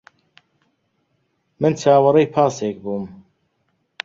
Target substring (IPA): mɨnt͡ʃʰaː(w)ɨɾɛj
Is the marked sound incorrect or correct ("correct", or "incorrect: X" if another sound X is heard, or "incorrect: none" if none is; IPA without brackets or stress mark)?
correct